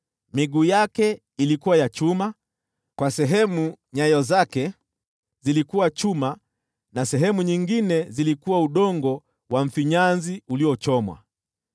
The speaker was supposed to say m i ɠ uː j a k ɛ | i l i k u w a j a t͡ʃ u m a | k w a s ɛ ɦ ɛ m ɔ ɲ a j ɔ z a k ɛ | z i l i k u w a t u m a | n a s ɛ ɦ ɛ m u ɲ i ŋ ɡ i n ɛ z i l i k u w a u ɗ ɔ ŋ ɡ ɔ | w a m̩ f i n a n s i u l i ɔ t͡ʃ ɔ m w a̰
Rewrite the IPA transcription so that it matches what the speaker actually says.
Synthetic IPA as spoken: m i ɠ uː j a k ɛ | i l i k u w a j a t͡ʃ u m a | k w a s ɛ ɦ ɛ m u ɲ a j ɔ z a k ɛ | z i l i k u w a t͡ʃ u m a | n a s ɛ ɦ ɛ m u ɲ i ŋ ɡ i n ɛ z i l i k u w a u ɗ ɔ ŋ ɡ ɔ | w a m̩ f i ɲ a n z i u l i ɔ t͡ʃ ɔ m w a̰

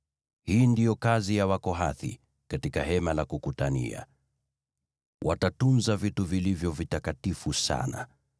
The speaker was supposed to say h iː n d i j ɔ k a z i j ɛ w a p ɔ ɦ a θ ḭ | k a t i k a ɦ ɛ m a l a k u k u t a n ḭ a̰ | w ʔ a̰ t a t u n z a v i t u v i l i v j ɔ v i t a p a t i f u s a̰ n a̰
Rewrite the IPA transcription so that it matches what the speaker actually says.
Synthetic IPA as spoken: h iː n d i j ɔ k a z i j a w a k ɔ ɦ a θ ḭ | k a t i k a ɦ ɛ m a l a k u k u t a n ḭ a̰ | w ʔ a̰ t a t u n z a v i t u v i l i v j ɔ v i t a k a t i f u s a̰ n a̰

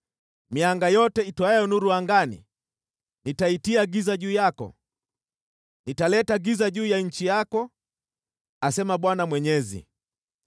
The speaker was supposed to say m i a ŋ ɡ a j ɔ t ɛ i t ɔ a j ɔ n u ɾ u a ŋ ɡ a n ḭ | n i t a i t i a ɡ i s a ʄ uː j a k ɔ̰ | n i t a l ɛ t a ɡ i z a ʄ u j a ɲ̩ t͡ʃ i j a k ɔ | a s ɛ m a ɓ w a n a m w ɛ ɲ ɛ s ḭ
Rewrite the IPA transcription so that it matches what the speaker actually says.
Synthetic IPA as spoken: m i a ŋ ɡ a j ɔ t ɛ i t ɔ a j ɔ n u ɾ u a ŋ ɡ a n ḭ | n i t a i t i a ɡ i z a ʄ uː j a k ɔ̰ | n i t a l ɛ t a ɡ i z a ʄ uː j a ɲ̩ t͡ʃ i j a k ɔ | a s ɛ m a ɓ w a n a m w ɛ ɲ ɛ z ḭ

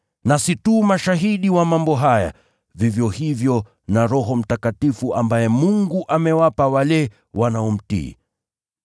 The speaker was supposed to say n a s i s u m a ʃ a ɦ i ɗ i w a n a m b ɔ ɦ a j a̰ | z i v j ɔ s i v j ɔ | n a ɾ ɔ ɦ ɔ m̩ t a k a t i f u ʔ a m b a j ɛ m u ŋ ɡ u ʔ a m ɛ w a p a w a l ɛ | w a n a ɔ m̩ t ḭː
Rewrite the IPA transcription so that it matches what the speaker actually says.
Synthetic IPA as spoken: n a s i t u m a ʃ a ɦ i ɗ i w a m a m b ɔ ɦ a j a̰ | v i v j ɔ h i v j ɔ | n a ɾ ɔ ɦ ɔ m̩ t a k a t i f u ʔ a m b a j ɛ m u ŋ ɡ u ʔ a m ɛ w a p a w a l ɛ | w a n a ɔ m̩ t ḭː

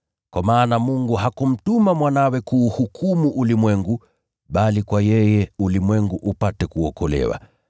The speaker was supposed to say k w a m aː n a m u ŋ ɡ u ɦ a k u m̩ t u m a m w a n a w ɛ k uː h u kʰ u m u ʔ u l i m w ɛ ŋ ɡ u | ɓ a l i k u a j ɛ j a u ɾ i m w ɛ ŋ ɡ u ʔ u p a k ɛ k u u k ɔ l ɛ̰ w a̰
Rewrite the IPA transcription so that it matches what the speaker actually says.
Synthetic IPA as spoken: k w a m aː n a m u ŋ ɡ u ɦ a k u m̩ t u m a m w a n a w ɛ k uː h u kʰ u m u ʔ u l i m w ɛ ŋ ɡ u | ɓ a l i k w a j ɛ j ɛ u l i m w ɛ ŋ ɡ u ʔ u p a t ɛ k u ɔ k ɔ l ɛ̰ w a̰

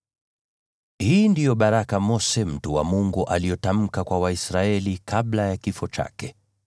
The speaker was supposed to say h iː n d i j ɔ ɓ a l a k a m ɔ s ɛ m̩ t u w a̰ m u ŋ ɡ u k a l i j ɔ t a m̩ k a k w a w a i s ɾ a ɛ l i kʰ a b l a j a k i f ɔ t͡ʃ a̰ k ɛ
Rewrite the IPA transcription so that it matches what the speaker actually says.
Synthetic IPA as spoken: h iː n d i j ɔ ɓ a ɾ a k a m ɔ s ɛ m̩ t u w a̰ m u ŋ ɡ u ʔ a l i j ɔ t a m̩ k a k w a w a i s ɾ a ɛ l i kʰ a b l a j a k i f ɔ t͡ʃ a̰ k ɛ

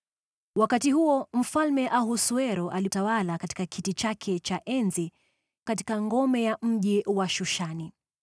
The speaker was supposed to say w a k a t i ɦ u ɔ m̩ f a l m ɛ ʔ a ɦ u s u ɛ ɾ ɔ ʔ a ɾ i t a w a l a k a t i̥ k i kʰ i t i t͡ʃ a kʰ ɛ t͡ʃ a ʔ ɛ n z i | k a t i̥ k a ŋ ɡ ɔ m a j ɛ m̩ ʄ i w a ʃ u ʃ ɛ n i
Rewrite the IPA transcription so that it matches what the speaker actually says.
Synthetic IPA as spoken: w a k a t i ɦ u ɔ m̩ f a l m ɛ ʔ a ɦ u s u ɛ ɾ ɔ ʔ a l i t a w a l a k a t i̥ k a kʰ i t i t͡ʃ a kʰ ɛ t͡ʃ a ʔ ɛ n z i | k a t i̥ k a ŋ ɡ ɔ m ɛ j a m̩ ʄ i w a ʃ u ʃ a n i

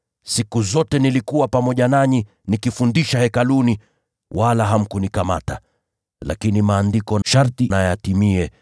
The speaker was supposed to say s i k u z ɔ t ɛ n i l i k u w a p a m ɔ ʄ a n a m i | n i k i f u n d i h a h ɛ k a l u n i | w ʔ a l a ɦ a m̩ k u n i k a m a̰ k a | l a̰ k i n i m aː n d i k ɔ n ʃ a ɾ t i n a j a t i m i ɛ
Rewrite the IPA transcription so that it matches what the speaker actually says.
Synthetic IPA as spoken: s i k u z ɔ t ɛ n i l i k u w a p a m ɔ ʄ a n a ɲ i | n i k i f u n d i ʃ a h ɛ k a l u n i | w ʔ a l a ɦ a m̩ k u n i k a m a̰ t a | l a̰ k i n i m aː n d i k ɔ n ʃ a ɾ t i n a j a t i m i ɛ

